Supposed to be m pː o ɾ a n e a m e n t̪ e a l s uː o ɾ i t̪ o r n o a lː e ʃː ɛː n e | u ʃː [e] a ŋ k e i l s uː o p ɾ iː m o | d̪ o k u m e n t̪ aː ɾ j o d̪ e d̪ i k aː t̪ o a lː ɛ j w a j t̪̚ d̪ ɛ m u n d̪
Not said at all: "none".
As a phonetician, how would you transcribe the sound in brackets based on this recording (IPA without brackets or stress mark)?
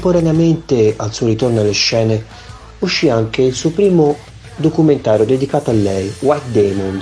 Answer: i